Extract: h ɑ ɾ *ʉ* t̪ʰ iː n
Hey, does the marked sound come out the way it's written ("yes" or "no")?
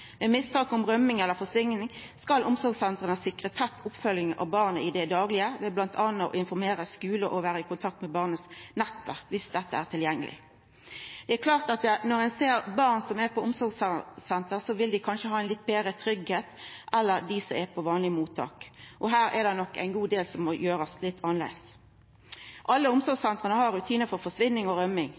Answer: yes